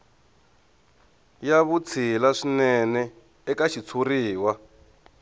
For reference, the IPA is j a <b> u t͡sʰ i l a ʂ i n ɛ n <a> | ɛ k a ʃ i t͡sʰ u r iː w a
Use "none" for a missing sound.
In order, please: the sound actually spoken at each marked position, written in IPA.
β, ɛ

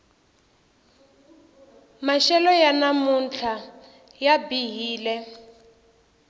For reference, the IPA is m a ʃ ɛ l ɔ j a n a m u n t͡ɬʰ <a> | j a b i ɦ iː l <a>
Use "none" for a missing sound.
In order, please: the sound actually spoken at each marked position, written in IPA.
a, ɛ

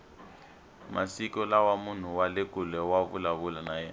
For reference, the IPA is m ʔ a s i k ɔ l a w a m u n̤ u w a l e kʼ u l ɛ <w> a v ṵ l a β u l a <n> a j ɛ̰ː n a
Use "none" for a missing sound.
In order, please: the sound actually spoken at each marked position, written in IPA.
w, n

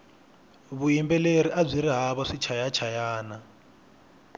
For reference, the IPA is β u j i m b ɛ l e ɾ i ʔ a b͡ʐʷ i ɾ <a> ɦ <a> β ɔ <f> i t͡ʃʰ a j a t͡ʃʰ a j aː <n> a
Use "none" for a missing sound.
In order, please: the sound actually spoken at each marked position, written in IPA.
i, a, ʂ, n

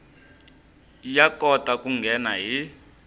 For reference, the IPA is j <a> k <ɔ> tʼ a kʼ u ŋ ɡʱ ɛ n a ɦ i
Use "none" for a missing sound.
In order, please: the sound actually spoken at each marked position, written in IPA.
a, ɔ

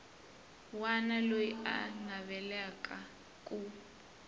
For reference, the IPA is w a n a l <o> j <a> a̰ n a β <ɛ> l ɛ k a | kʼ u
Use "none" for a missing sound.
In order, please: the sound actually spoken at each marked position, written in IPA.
o, i, ɛ

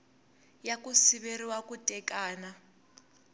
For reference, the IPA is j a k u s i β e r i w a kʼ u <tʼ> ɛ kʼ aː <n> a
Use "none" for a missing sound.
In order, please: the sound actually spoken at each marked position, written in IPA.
tʼ, n

